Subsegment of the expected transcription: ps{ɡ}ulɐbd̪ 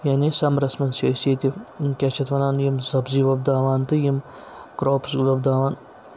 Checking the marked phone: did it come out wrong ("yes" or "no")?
no